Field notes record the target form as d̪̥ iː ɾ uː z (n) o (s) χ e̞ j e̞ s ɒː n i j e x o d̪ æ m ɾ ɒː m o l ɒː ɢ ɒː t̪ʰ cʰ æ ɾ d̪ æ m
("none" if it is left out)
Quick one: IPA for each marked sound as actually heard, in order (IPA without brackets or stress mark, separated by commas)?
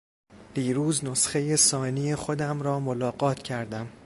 n, s